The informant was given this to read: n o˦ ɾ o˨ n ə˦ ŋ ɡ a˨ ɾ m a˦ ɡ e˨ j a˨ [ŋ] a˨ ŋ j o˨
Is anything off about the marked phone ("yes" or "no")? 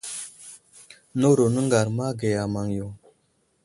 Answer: yes